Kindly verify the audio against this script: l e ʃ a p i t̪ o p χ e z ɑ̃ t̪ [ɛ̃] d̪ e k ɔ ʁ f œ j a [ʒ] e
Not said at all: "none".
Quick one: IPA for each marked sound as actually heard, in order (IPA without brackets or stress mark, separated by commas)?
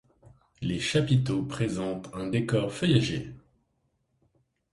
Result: ɛ̃, ʒ